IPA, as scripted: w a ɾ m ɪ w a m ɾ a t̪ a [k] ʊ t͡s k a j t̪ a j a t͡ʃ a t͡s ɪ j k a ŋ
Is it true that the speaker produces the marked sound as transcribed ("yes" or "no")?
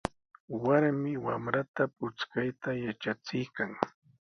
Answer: no